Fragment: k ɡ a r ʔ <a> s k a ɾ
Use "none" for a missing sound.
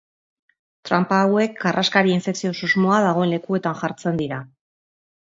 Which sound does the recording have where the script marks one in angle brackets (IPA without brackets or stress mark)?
a